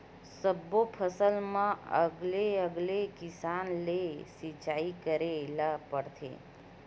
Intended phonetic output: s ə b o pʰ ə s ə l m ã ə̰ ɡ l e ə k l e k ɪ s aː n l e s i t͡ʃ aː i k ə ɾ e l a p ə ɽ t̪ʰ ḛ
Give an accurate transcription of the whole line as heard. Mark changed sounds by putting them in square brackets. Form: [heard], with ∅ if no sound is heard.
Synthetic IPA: s ə b o pʰ ə s ə l m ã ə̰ ɡ l e ə [ɡ] l e k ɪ s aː n l e s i t͡ʃ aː i k ə ɾ e l a p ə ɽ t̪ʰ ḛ